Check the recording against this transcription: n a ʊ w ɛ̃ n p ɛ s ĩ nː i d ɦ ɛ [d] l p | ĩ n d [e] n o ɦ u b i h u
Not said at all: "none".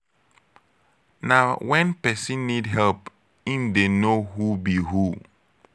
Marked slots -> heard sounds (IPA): none, e

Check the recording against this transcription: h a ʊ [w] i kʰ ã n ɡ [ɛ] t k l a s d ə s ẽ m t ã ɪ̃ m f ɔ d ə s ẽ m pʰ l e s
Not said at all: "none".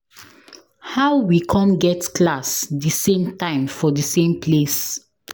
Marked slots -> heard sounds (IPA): w, ɛ

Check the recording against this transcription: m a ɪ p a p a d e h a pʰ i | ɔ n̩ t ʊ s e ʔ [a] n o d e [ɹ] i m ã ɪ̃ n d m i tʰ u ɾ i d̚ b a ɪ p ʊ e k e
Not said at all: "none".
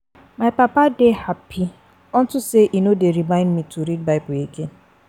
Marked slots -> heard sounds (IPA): i, ɾ

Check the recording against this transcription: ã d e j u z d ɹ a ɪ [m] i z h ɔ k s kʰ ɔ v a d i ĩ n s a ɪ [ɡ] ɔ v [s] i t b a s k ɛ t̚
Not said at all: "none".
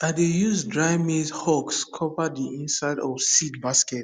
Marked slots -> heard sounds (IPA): m, d, s

